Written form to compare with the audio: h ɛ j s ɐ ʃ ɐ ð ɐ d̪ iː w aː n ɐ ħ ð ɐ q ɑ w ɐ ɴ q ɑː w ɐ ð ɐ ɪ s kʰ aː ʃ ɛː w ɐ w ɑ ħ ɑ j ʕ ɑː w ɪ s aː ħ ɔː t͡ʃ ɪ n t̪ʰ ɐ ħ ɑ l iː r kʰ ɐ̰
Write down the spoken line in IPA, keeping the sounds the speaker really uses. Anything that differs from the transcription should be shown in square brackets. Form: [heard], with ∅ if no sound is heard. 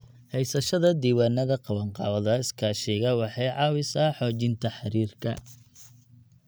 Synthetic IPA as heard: h ɛ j s ɐ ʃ ɐ ð ɐ d̪ iː w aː n ɐ [∅] ð ɐ q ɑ w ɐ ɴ q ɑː w ɐ ð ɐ ɪ s kʰ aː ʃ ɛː [ɣ] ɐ w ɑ ħ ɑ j ʕ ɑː w ɪ s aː ħ ɔː t͡ʃ ɪ n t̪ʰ ɐ ħ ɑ [ɾ] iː r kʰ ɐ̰